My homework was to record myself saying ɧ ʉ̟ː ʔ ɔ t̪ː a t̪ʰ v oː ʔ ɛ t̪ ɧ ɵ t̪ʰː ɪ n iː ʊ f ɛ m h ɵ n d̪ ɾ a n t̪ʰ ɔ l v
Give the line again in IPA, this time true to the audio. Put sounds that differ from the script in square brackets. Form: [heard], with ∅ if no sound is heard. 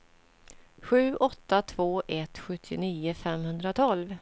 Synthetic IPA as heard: ɧ ʉ̟ː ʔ ɔ t̪ː a t̪ʰ v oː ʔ ɛ t̪ ɧ ɵ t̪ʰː ɪ n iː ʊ f ɛ m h ɵ n d̪ ɾ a [∅] t̪ʰ ɔ l v